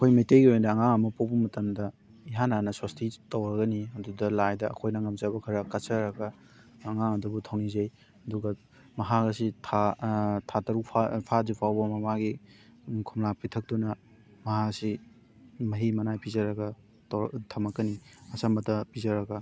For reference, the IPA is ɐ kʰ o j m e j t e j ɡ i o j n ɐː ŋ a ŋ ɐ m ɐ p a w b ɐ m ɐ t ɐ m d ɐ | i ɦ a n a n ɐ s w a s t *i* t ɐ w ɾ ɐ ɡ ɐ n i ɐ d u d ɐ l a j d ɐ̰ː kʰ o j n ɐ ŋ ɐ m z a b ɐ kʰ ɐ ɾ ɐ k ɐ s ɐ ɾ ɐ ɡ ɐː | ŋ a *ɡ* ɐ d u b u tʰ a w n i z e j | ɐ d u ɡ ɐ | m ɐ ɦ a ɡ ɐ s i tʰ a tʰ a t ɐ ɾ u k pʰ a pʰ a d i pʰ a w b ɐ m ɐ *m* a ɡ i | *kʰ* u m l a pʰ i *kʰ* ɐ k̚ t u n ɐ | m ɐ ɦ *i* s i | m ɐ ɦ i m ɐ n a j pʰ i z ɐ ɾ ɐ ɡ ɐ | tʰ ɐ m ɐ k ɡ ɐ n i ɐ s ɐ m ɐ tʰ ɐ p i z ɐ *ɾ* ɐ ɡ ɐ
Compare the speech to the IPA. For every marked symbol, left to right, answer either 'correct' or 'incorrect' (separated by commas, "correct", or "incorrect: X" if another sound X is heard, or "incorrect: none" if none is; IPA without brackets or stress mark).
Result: correct, incorrect: ŋ, correct, correct, incorrect: tʰ, incorrect: a, correct